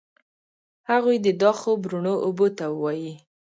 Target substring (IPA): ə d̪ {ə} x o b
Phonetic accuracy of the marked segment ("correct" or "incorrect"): incorrect